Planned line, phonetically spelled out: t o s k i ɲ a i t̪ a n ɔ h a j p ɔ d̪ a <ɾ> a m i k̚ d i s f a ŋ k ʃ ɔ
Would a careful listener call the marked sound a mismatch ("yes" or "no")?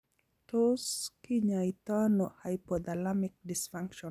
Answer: yes